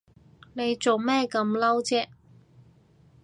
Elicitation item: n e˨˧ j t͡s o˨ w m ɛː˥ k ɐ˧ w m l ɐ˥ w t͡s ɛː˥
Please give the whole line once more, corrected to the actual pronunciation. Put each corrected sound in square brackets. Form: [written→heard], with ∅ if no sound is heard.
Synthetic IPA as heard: n e˨˧ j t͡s o˨ w m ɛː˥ k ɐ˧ [w→∅] m l ɐ˥ w t͡s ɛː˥